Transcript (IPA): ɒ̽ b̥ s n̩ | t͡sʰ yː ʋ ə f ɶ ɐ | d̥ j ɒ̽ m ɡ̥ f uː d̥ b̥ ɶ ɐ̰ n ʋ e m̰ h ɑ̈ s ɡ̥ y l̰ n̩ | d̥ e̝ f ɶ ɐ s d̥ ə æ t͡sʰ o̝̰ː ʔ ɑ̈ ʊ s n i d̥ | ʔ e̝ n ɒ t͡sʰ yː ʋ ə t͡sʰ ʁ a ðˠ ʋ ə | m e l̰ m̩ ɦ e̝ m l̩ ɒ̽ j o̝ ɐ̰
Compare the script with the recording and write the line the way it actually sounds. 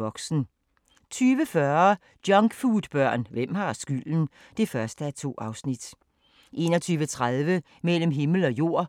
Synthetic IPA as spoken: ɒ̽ ɡ̥ s n̩ | t͡sʰ yː ʋ ə f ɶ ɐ | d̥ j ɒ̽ ŋ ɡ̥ f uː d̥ b̥ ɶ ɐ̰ n ʋ e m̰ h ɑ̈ s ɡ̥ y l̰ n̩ | d̥ e̝ f ɶ ɐ s d̥ ə æ t͡sʰ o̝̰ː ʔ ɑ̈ ʊ s n i d̥ | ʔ e̝ n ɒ t͡sʰ yː ʋ ə t͡sʰ ʁ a ðˠ ʋ ə | m e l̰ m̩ ɦ e̝ m l̩ ɒ̽ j o̝ ɐ̰